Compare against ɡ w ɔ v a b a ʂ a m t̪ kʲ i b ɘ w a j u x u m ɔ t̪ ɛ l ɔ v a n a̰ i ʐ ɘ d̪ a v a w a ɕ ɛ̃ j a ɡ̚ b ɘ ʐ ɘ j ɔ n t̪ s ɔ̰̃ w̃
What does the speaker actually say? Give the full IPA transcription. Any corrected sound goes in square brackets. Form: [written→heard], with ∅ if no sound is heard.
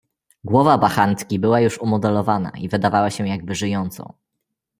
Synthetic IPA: ɡ w ɔ v a b a [ʂ→x] a [m→n] t̪ kʲ i b ɘ w a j u [x→ʂ] u m ɔ [t̪→d̪] ɛ l ɔ v a n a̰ i [ʐ→v] ɘ d̪ a v a w a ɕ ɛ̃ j a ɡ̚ b ɘ ʐ ɘ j ɔ n t̪ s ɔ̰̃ w̃